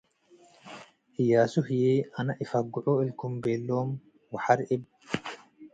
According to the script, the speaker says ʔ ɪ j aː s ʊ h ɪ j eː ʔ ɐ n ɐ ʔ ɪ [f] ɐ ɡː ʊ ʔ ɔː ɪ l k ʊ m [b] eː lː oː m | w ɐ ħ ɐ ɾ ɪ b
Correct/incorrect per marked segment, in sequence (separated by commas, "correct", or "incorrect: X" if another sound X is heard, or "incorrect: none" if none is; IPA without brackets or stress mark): correct, correct